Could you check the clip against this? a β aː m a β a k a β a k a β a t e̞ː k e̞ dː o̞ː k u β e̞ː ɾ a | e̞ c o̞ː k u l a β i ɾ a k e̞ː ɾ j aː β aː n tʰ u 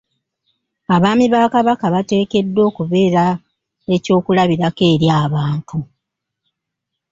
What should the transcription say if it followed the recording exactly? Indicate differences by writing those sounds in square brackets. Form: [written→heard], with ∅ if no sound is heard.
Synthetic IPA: a β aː m [a→i] β a k a β a k a β a t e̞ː k e̞ dː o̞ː k u β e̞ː ɾ a | e̞ c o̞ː k u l a β i ɾ a k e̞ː ɾ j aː β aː n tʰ u